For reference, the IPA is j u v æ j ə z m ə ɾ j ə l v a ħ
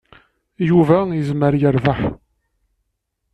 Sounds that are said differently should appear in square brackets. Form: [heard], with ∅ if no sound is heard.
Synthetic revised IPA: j u v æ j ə z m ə ɾ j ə [ɾ] v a ħ